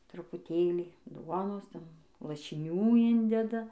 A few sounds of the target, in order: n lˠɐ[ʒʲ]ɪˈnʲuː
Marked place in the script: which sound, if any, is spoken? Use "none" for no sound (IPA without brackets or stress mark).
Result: ʃʲ